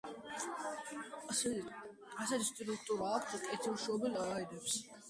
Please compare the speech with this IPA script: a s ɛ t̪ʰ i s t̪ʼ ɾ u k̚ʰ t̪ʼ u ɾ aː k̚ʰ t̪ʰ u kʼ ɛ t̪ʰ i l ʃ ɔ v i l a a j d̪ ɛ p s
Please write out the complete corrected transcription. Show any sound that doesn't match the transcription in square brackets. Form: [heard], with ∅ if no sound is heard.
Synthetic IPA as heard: a s ɛ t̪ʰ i s t̪ʼ ɾ u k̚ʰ t̪ʼ u ɾ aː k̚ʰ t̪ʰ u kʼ ɛ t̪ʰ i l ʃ ɔ [b] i l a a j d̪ ɛ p s